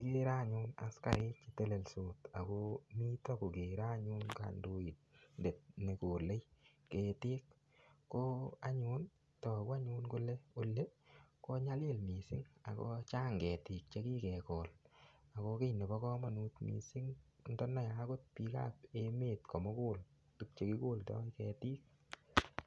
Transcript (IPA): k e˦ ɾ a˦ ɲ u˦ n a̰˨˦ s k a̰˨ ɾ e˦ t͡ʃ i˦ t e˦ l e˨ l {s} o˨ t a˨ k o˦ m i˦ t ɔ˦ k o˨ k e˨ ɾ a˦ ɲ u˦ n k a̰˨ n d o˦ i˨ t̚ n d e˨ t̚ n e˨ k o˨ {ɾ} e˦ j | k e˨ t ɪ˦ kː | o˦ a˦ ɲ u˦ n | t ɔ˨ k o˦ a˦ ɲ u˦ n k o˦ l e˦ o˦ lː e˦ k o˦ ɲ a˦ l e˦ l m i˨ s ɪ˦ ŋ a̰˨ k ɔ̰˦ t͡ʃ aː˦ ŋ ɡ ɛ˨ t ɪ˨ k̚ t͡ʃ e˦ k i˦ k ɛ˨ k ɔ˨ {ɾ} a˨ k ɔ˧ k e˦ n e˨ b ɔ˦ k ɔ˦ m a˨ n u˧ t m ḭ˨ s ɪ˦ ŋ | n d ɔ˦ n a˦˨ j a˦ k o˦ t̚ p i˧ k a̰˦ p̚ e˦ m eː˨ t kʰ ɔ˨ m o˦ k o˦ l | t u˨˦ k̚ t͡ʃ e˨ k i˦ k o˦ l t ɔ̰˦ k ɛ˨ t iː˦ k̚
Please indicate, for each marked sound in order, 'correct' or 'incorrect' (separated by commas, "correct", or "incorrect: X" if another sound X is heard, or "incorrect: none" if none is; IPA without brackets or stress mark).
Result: correct, incorrect: l, incorrect: l